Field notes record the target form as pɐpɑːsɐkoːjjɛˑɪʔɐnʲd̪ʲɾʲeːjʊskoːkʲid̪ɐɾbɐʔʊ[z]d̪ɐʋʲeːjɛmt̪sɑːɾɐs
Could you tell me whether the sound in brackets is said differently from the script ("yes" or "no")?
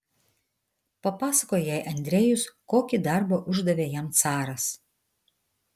yes